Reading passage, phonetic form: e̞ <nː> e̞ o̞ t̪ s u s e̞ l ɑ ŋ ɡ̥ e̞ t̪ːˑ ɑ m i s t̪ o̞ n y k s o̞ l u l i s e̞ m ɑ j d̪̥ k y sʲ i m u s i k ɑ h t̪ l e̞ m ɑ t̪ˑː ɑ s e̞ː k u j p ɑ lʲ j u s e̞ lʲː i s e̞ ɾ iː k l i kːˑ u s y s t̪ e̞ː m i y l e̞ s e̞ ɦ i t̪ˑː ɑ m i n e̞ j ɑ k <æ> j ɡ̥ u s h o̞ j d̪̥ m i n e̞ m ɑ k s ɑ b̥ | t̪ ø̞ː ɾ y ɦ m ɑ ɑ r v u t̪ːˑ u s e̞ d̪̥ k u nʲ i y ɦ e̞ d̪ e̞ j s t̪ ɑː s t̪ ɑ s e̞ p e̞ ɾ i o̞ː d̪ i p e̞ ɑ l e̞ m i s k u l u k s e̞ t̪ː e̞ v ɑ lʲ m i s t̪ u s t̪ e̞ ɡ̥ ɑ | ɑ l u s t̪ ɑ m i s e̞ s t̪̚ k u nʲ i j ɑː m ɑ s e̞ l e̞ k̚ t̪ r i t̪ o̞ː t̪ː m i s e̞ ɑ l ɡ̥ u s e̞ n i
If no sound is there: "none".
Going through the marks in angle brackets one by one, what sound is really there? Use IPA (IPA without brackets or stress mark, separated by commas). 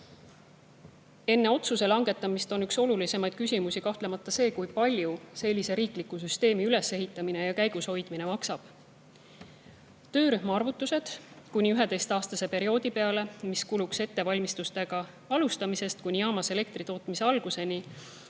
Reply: nː, æ